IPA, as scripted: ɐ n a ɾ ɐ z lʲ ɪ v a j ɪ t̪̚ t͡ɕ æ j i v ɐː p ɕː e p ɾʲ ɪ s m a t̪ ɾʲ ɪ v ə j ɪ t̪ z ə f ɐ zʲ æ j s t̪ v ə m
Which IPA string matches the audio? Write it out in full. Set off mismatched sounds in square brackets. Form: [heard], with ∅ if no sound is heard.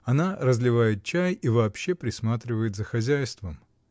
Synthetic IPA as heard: ɐ n a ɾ [ə] z lʲ ɪ v a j ɪ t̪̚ t͡ɕ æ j i v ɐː p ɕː e p ɾʲ ɪ s m a t̪ ɾʲ ɪ v ə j ɪ t̪ z ə [x] ɐ zʲ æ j s t̪ v ə m